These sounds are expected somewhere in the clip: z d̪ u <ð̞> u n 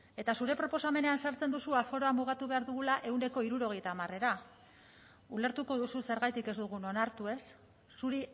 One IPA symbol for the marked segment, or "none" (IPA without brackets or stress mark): ɣ̞